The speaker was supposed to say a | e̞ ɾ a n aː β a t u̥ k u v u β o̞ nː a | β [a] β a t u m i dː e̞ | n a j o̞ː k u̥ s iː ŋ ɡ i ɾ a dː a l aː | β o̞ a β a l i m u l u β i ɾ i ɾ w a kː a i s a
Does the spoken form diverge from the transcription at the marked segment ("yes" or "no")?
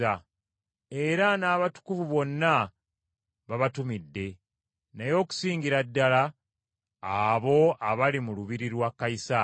no